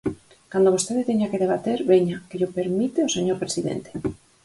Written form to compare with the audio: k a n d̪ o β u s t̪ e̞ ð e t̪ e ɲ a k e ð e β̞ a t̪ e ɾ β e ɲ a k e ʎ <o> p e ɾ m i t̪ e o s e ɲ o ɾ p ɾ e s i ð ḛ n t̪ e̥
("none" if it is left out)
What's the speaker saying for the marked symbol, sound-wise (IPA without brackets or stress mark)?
o